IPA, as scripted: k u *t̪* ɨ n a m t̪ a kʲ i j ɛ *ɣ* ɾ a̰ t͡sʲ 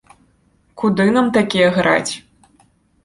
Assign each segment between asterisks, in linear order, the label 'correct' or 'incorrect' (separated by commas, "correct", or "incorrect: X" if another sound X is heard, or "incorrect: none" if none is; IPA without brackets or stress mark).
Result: incorrect: d̪, correct